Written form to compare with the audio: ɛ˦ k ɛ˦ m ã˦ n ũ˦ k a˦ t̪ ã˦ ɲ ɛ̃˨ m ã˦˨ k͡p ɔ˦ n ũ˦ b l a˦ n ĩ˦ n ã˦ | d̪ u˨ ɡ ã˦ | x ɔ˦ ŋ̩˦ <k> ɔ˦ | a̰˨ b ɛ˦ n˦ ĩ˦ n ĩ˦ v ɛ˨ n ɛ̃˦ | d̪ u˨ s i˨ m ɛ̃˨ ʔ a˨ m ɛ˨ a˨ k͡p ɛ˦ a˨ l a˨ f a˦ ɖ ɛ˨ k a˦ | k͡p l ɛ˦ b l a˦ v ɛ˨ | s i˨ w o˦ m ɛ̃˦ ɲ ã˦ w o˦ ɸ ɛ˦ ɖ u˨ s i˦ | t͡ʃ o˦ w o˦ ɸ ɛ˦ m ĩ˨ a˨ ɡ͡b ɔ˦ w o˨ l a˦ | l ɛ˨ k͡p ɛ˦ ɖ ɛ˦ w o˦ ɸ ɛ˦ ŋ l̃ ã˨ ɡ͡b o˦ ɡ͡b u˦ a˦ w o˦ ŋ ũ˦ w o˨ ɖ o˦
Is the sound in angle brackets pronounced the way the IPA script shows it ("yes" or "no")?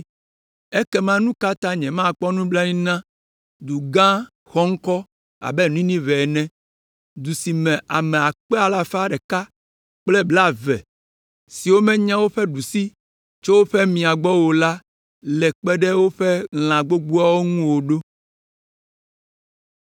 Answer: yes